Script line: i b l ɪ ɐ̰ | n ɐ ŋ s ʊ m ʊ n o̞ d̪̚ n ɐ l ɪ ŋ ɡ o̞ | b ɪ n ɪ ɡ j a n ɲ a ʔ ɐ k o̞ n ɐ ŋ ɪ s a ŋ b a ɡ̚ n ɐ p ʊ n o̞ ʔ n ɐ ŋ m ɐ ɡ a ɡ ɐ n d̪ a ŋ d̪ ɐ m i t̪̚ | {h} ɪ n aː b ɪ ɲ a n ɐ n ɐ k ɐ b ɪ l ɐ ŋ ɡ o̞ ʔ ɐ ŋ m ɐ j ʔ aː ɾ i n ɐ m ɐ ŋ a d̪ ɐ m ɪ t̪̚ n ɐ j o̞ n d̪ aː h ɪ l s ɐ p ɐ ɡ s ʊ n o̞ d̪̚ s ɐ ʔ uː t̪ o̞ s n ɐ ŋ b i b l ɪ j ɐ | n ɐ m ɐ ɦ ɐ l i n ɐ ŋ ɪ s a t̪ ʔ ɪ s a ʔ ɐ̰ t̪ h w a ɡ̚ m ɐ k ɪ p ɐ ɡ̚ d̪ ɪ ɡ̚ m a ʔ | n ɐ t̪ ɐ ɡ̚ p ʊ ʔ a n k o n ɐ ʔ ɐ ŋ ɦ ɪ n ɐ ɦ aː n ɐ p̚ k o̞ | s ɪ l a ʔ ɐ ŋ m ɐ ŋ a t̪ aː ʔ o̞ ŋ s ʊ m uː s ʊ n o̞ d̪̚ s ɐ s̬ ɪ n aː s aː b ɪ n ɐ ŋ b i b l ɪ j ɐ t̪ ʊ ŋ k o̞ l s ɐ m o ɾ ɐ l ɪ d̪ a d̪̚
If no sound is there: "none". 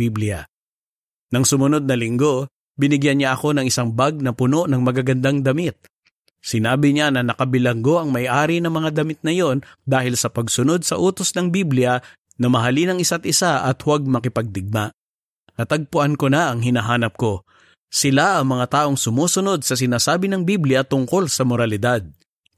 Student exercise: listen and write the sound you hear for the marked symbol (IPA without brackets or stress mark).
s